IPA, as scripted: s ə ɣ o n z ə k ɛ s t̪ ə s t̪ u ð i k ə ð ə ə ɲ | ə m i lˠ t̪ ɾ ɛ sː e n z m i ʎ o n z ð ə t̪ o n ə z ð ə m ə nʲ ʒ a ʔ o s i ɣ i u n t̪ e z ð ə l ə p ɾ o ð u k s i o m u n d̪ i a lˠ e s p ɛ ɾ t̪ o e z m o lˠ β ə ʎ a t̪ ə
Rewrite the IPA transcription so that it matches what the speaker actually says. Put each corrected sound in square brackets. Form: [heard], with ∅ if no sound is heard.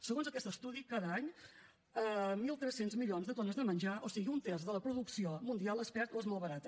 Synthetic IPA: s ə ɣ o n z ə k ɛ s t̪ ə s t̪ u ð i k [a] ð ə [a] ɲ | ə m i lˠ t̪ ɾ ɛ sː e n z m i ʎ o n z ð ə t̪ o n ə z ð ə m ə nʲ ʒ a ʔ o s i ɣ i u n t̪ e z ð ə l ə p ɾ [u] ð u k s i o m u n d̪ i a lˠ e s p ɛ ɾ t̪ o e z m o lˠ β ə [ɾ] a t̪ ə